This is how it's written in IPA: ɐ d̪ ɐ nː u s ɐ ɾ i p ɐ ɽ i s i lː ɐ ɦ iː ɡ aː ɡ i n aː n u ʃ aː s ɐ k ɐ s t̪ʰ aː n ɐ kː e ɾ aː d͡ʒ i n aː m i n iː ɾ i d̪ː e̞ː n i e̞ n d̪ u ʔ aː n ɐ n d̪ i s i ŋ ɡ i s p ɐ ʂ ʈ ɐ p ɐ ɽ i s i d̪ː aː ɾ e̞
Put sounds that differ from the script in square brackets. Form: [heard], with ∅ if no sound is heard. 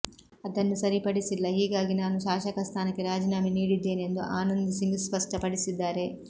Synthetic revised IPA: ɐ d̪ ɐ nː u s ɐ ɾ i p ɐ ɽ i s i lː ɐ ɦ iː ɡ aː ɡ i n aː n u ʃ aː [ʃ] ɐ k ɐ s t̪ʰ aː n ɐ kː e ɾ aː d͡ʒ i n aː m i n iː [ɽ] i d̪ː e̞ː n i e̞ n d̪ u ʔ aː n ɐ n d̪ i s i ŋ ɡ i s p ɐ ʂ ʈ ɐ p ɐ ɽ i s i d̪ː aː ɾ e̞